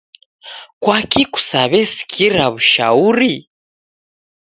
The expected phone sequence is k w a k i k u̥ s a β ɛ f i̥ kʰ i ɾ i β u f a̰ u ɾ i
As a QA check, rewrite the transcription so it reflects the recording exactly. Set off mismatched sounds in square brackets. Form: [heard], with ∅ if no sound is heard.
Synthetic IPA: k w a k i k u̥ s a β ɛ [s] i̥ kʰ i ɾ [a] β u [ʃ] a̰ u ɾ i